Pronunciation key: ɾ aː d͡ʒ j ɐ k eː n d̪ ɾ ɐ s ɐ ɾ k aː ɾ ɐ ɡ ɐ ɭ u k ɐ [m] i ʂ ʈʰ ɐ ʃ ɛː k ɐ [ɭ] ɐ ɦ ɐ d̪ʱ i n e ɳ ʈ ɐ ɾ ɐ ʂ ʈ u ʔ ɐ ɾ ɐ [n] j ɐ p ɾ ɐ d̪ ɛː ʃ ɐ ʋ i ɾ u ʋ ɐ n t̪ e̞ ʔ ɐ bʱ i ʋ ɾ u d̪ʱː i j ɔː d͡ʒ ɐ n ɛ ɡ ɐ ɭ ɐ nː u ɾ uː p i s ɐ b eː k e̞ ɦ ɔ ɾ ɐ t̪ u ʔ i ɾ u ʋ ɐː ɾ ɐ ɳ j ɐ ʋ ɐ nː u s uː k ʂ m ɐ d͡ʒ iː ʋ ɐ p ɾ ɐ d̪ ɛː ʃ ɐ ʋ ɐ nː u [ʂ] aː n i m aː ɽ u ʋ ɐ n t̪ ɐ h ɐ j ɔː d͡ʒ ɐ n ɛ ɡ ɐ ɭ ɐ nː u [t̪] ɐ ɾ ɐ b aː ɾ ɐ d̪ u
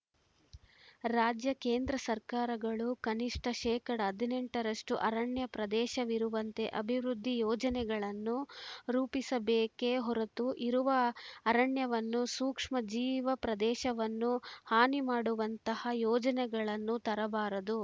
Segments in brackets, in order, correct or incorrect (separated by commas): incorrect, incorrect, incorrect, incorrect, correct